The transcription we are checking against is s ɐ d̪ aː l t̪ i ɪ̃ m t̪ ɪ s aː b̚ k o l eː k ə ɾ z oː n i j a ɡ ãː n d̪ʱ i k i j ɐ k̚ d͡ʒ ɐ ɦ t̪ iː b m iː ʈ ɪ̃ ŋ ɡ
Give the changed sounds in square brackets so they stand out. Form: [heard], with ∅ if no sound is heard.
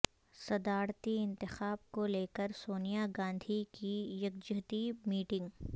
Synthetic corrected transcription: s ɐ d̪ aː [ɾ] t̪ i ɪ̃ [n] t̪ ɪ [x] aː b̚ k o l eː k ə ɾ [s] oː n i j a ɡ ãː n d̪ʱ i k i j ɐ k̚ d͡ʒ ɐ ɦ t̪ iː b m iː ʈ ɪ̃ ŋ ɡ